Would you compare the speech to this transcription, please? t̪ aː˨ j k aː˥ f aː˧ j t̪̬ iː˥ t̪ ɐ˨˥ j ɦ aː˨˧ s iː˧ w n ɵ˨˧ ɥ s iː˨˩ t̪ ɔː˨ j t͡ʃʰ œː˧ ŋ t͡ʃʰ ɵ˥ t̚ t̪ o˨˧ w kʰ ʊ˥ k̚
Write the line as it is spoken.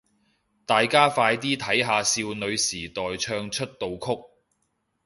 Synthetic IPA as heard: t̪ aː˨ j k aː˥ f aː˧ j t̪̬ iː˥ t̪ʰ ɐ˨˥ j ɦ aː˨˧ s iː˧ w n ɵ˨˧ ɥ s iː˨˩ t̪ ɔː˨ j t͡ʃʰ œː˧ ŋ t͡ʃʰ ɵ˥ t̚ t̪ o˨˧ w kʰ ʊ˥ k̚